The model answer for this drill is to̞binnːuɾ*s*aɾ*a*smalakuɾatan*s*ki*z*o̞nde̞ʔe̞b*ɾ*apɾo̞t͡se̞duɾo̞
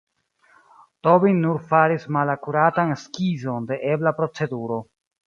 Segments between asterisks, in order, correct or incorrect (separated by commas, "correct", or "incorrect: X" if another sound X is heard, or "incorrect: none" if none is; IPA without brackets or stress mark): incorrect: f, incorrect: i, correct, correct, incorrect: l